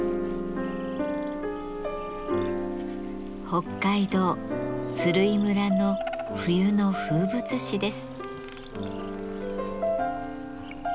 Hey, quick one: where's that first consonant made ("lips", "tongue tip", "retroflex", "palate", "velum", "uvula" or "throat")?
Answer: throat